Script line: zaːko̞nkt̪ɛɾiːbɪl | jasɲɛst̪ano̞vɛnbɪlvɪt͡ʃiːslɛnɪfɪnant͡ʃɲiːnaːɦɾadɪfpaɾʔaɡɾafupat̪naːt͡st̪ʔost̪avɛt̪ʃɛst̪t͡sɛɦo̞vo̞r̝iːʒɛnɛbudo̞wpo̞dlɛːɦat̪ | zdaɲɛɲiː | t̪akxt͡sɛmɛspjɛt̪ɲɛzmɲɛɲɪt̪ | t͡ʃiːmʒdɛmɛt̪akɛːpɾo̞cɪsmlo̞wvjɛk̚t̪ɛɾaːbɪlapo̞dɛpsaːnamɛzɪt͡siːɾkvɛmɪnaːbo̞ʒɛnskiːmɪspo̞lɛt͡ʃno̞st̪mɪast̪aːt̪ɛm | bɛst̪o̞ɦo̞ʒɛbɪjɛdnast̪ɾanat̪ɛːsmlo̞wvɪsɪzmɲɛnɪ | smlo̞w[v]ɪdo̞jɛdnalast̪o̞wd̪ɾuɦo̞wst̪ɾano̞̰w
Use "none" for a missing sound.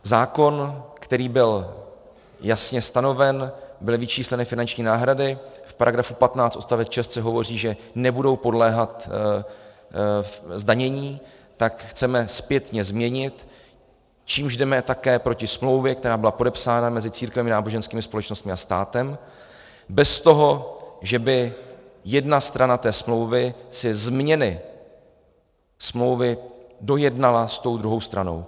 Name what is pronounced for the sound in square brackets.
v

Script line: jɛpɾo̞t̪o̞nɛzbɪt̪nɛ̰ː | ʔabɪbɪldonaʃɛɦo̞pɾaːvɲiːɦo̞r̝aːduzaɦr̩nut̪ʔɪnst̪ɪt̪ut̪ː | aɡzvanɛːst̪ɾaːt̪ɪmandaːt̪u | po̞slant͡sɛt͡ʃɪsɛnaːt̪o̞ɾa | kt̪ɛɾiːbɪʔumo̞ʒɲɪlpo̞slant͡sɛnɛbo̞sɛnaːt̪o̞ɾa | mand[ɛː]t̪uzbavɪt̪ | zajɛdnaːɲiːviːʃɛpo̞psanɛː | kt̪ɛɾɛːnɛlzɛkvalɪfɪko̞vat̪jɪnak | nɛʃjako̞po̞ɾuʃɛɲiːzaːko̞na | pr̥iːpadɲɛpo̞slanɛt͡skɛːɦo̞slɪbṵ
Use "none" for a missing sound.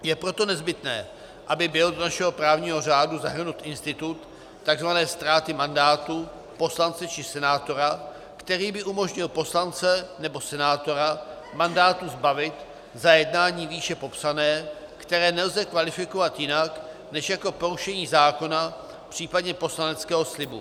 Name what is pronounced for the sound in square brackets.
aː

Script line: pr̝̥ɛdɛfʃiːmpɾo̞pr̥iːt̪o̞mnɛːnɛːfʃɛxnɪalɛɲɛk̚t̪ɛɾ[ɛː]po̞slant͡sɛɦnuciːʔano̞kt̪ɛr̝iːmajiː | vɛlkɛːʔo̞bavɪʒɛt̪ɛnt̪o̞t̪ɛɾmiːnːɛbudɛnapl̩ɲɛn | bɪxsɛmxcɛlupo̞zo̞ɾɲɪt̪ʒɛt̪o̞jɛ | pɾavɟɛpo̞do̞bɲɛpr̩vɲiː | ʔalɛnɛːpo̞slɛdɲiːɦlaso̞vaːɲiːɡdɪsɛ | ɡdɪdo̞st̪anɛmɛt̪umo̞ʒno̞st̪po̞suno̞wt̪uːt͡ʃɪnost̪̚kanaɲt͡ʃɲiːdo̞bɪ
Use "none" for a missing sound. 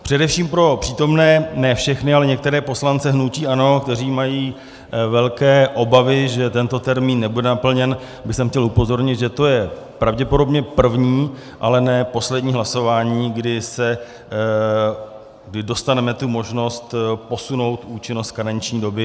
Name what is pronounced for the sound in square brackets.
ɛː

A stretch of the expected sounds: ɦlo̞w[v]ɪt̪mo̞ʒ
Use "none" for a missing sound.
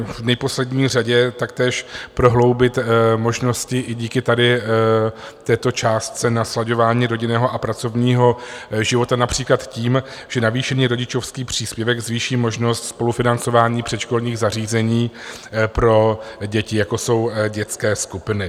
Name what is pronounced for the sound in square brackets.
b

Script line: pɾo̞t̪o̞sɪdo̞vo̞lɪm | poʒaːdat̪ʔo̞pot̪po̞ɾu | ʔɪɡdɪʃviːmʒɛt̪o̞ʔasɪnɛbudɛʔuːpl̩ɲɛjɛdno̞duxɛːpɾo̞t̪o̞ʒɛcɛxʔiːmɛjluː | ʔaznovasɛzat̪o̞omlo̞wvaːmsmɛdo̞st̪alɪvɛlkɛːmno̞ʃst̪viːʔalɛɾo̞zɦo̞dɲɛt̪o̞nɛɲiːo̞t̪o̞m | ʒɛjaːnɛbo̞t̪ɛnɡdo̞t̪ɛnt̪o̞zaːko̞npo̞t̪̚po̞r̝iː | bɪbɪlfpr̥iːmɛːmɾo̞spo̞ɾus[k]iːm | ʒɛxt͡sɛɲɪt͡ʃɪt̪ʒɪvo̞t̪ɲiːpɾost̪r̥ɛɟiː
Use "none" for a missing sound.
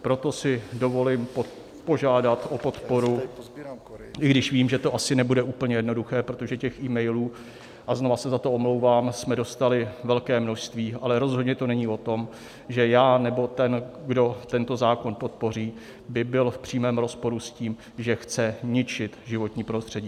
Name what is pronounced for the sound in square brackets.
c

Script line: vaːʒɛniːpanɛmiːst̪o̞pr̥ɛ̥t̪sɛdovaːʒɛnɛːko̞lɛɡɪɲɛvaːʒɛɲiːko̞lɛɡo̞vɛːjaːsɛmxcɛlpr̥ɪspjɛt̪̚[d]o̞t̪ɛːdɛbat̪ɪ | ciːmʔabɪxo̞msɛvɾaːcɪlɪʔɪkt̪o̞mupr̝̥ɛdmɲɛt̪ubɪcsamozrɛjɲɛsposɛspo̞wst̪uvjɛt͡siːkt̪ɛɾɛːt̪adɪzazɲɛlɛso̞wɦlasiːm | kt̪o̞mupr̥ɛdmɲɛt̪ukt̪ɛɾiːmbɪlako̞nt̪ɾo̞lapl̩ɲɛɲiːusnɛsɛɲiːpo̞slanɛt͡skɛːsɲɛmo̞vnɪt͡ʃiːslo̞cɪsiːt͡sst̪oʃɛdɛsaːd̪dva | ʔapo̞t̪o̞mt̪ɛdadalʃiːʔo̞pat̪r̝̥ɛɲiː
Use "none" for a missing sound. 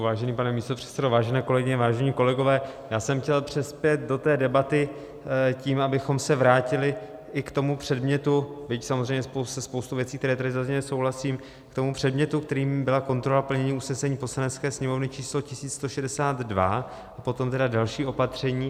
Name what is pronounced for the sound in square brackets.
d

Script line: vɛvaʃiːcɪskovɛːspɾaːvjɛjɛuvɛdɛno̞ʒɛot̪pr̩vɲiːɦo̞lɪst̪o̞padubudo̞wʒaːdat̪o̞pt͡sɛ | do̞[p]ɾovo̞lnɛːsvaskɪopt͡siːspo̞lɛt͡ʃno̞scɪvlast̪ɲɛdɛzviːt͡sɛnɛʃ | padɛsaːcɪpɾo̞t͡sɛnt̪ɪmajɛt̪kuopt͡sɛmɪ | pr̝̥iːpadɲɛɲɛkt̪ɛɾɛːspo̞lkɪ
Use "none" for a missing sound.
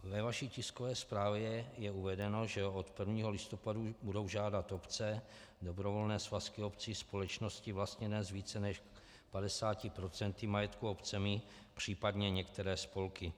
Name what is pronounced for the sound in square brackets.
b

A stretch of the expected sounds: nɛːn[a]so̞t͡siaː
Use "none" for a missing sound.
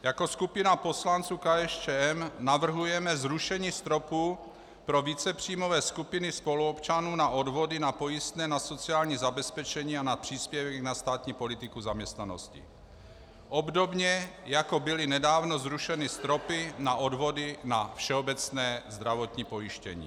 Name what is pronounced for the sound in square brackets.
a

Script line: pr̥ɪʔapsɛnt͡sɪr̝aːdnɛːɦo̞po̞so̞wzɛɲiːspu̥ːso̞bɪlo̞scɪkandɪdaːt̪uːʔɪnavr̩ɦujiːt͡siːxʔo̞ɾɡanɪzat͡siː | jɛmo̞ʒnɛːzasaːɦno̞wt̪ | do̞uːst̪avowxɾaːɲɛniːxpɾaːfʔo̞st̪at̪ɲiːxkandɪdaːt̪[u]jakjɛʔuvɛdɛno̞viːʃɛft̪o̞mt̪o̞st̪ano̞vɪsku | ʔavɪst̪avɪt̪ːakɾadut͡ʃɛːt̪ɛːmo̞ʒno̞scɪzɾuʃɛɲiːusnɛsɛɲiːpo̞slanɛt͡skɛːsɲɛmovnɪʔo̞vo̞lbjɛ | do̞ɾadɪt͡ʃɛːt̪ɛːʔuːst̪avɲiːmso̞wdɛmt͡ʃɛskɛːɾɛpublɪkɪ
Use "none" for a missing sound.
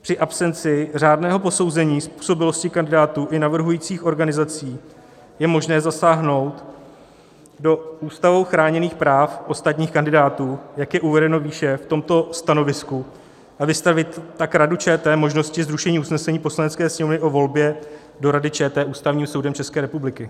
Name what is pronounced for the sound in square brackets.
uː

